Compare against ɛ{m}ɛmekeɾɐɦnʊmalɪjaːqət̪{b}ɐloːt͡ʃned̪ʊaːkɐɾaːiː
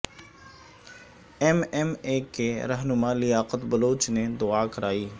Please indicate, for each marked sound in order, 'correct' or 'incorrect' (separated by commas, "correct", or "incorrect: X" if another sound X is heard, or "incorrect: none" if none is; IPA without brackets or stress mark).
correct, correct